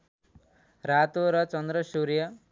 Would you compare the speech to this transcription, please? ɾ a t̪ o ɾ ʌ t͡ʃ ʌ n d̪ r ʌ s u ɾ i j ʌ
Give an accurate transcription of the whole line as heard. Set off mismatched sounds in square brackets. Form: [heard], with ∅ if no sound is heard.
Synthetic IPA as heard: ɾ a t̪ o ɾ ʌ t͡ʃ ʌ n d̪ [ɾ] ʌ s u ɾ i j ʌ